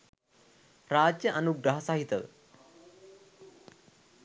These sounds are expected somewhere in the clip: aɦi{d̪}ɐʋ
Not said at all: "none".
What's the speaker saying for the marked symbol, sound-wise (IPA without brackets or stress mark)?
t̪